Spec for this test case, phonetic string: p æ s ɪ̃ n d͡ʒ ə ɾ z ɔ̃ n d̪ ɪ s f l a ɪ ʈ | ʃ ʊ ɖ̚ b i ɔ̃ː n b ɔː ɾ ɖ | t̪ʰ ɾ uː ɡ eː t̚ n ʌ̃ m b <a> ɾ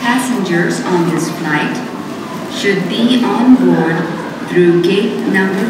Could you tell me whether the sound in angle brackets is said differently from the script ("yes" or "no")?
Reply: yes